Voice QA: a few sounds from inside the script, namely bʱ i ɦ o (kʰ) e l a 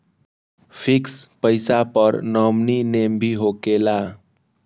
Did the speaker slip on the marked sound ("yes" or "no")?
yes